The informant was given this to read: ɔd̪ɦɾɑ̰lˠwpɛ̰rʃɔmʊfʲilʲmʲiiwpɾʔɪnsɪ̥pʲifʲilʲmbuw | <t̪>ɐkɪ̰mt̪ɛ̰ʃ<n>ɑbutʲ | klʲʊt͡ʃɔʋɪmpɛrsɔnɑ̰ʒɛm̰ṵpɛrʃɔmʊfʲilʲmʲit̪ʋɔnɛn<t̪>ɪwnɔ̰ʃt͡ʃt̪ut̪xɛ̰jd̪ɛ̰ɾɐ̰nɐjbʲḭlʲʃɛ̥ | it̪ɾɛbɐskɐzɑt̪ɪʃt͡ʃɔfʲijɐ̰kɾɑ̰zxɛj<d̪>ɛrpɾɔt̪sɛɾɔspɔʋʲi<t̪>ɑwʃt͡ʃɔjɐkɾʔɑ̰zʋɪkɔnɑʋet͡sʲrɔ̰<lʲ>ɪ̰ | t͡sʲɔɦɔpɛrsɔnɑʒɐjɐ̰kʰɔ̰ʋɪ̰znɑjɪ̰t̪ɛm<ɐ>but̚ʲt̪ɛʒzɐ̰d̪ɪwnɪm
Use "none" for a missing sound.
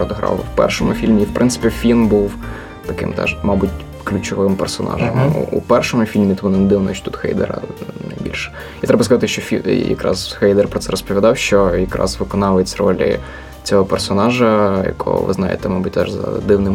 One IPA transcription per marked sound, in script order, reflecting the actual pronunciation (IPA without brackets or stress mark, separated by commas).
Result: t̪, m, d̪, d̪, d̪, lʲ, ɑ